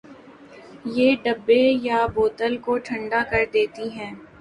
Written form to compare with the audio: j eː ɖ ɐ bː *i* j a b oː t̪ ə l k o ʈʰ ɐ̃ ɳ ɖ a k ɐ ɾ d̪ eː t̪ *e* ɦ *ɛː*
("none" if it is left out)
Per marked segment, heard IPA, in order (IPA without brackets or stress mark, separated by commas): e, i, ɛ̃ː